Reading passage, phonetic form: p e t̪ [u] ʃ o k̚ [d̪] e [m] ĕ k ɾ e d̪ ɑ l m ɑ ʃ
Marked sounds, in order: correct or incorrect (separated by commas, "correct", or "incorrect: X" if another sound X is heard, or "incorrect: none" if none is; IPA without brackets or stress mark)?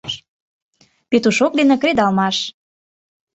correct, correct, incorrect: n